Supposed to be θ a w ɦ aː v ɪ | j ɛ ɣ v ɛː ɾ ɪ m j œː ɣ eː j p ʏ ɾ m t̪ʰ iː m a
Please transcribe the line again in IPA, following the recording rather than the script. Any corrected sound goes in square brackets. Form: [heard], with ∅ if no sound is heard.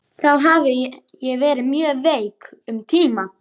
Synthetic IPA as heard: θ a w ɦ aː v ɪ | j ɛ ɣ v ɛː ɾ ɪ m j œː [v] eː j [k] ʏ [∅] m t̪ʰ iː m a